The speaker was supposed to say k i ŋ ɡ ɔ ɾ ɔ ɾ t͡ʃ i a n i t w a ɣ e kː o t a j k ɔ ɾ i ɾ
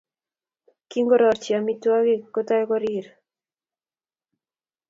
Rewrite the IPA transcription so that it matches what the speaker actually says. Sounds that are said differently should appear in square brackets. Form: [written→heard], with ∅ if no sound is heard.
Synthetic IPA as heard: k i ŋ ɡ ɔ ɾ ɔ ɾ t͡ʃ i a [n→m] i t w a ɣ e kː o t a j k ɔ ɾ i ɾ